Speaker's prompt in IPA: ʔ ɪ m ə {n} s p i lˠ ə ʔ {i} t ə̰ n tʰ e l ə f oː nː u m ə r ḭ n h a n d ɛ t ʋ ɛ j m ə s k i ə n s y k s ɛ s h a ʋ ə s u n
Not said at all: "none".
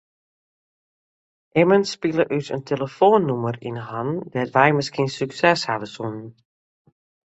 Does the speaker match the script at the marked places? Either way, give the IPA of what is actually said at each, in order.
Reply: n, y

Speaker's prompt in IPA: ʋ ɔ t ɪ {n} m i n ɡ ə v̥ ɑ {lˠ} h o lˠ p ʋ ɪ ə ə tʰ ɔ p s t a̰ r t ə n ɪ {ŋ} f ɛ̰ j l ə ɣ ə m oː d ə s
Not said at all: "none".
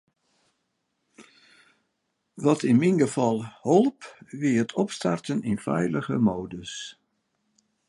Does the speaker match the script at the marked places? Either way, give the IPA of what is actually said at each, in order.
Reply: n, lˠ, n

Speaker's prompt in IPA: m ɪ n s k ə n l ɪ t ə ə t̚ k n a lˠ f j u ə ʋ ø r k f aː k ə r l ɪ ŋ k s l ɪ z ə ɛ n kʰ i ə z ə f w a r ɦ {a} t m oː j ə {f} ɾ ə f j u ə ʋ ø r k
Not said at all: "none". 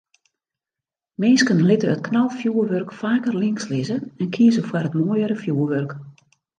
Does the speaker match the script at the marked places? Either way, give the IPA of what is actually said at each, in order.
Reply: ə, none

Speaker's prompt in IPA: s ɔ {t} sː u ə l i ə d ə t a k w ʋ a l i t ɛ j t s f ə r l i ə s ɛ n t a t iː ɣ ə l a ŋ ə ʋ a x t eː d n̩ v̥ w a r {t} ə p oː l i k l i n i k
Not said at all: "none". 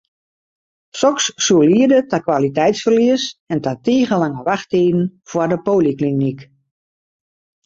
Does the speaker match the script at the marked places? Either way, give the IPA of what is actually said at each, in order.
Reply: k, d

